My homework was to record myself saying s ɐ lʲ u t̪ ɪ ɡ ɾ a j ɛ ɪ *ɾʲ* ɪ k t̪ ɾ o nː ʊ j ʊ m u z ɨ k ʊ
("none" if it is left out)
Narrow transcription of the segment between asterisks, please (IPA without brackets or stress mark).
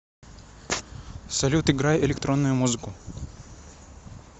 lʲ